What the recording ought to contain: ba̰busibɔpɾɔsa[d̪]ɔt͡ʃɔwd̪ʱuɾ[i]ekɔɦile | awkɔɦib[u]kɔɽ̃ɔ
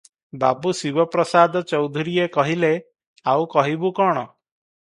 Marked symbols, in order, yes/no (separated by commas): yes, yes, yes